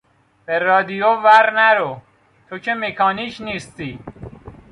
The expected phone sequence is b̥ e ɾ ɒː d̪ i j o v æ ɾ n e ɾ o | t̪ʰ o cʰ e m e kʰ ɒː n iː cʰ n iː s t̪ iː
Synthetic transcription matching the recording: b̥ e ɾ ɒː d̪ i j o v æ ɾ n æ ɾ o | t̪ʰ o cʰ e m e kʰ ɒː n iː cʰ n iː s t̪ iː